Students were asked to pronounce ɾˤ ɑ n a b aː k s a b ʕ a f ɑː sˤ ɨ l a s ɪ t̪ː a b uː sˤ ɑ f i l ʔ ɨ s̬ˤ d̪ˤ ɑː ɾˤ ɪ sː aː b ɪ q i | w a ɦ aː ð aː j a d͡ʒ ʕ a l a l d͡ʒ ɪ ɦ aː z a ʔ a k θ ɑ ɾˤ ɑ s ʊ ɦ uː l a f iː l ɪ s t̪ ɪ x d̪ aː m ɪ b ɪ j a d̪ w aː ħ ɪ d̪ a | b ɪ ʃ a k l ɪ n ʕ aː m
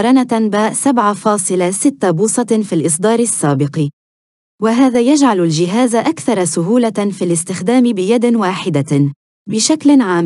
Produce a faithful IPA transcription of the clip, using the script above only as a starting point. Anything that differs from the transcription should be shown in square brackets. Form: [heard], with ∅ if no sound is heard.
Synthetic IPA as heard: ɾˤ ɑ n a b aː [ʔ] s a b ʕ a f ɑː sˤ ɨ l a s ɪ t̪ː a b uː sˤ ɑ f i l ʔ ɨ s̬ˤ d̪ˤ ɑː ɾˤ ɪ sː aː b ɪ q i | w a ɦ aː ð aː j a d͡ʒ ʕ a l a l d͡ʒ ɪ ɦ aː z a ʔ a k θ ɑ ɾˤ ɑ s ʊ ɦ uː l a f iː l ɪ s t̪ ɪ x d̪ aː m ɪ b ɪ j a d̪ w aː ħ ɪ d̪ a | b ɪ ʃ a k l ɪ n ʕ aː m